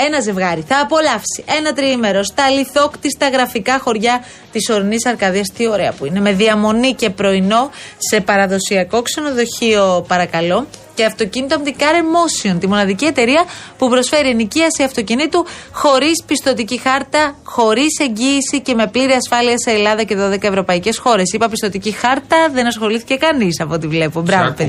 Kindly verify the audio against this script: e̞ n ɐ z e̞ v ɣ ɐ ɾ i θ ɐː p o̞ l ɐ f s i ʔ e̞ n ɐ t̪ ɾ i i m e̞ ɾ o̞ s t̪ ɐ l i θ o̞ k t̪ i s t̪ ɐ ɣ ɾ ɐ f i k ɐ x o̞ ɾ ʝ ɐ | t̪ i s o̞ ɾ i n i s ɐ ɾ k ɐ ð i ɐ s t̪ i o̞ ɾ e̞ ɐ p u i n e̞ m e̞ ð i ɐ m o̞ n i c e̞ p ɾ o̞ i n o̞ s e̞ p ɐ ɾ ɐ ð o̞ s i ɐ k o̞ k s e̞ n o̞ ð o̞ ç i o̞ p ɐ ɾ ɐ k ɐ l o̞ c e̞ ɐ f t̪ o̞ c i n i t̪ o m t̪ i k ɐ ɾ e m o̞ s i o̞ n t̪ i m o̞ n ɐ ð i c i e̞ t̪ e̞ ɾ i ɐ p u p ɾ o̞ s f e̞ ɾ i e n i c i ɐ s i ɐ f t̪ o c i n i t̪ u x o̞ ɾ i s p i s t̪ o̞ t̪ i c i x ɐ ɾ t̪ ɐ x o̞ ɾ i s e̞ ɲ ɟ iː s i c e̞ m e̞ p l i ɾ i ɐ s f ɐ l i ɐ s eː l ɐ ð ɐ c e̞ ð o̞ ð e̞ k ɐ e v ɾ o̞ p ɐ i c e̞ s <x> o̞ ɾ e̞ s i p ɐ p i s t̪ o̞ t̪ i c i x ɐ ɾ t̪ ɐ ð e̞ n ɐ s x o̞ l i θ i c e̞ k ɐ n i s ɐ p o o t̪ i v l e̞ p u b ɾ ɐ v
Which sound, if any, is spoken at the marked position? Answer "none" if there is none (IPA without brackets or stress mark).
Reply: x